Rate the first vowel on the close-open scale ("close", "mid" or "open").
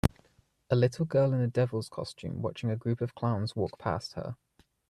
mid